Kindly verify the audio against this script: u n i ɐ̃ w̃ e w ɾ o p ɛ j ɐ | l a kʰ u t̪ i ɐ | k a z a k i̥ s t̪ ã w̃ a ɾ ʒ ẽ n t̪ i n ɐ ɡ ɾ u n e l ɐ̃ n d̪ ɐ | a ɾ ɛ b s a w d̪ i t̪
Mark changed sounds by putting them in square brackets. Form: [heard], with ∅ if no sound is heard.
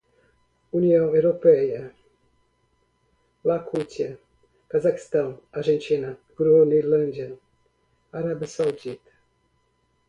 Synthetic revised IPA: u n i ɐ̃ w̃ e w ɾ o p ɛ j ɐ | l a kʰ u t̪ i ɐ | k a z a k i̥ s t̪ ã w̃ a ɾ ʒ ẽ n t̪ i n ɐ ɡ ɾ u n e l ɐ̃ n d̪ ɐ | a ɾ [a] b s a w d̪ i t̪